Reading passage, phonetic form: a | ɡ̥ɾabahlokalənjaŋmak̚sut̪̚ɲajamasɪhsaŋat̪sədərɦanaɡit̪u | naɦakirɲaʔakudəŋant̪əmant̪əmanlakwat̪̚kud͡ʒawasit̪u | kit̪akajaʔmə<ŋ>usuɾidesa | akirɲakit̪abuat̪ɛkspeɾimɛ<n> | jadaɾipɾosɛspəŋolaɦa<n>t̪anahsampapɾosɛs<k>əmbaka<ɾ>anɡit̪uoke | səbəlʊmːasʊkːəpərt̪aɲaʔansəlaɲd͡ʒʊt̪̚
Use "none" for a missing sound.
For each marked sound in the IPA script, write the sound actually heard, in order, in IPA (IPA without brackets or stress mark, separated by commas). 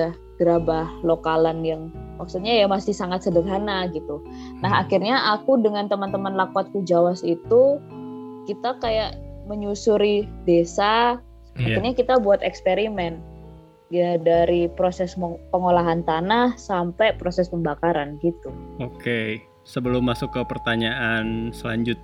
ɲ, n, n, p, ɾ